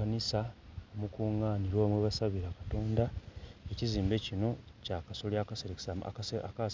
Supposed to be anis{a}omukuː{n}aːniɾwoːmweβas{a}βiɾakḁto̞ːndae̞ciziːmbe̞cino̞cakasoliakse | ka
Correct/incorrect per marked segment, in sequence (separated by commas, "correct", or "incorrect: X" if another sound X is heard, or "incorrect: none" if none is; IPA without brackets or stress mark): correct, incorrect: ŋ, correct